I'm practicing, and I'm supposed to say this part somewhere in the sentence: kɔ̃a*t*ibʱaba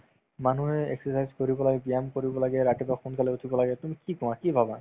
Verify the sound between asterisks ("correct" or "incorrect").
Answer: incorrect